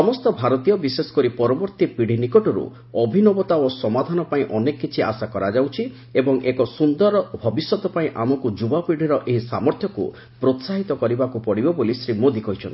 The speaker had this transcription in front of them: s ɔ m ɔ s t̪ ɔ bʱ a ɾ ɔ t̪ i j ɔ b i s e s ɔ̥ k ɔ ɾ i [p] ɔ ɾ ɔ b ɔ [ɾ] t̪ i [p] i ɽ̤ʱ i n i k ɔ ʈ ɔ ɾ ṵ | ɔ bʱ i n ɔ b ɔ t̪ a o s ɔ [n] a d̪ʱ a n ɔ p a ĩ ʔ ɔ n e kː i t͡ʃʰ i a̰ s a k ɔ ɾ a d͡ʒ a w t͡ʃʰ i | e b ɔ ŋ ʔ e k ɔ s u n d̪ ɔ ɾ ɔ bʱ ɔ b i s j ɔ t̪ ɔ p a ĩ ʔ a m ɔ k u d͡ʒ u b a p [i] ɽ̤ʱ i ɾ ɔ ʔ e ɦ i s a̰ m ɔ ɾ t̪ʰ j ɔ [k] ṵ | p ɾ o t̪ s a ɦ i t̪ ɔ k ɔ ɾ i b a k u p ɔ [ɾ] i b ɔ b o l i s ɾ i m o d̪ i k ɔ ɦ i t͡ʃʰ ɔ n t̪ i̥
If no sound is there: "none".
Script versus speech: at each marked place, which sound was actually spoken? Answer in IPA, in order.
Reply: p, ɾ, p, m, i, k, ɽ

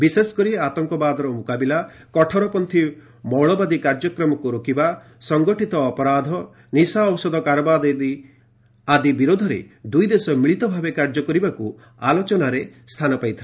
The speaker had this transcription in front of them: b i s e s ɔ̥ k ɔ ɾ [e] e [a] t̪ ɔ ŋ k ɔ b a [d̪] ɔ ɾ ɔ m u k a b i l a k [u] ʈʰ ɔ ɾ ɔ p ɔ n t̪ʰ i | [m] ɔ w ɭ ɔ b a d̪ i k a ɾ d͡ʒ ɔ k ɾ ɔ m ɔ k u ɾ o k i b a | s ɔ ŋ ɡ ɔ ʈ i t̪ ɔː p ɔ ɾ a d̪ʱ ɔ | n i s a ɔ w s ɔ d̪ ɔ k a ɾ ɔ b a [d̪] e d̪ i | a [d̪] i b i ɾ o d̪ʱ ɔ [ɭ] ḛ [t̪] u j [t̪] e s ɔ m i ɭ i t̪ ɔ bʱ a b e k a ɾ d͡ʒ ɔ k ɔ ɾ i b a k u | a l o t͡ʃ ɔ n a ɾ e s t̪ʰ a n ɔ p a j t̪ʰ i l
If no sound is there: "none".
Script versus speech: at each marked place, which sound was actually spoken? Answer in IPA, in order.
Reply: i, a, d̪, ɔ, m, d̪, d̪, ɾ, d̪, d̪

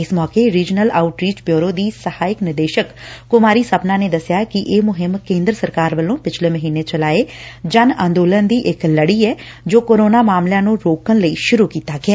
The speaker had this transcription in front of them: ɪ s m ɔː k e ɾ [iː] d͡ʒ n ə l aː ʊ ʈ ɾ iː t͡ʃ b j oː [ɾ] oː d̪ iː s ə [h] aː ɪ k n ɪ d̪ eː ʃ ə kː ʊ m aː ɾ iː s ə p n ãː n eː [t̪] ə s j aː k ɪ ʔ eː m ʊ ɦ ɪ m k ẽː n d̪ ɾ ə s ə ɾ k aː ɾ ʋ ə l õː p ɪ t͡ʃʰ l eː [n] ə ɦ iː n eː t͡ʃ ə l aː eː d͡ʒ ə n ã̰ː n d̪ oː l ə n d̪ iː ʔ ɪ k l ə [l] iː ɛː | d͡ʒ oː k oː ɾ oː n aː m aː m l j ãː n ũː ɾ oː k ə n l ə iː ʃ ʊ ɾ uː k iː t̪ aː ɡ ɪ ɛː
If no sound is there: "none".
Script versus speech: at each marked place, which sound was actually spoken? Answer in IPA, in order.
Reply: iː, ɾ, h, d̪, m, ɽ

